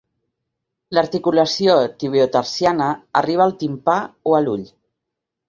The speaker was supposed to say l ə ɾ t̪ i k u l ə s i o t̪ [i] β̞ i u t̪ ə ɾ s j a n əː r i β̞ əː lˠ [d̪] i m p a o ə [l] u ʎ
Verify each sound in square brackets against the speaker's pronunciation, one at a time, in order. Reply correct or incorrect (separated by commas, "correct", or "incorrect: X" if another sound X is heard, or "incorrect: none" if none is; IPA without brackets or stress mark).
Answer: correct, incorrect: t̪, correct